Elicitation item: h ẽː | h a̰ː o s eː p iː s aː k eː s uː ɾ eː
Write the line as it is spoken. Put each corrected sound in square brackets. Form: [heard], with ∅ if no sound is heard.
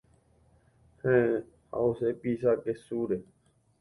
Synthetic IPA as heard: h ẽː | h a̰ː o s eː p iː s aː k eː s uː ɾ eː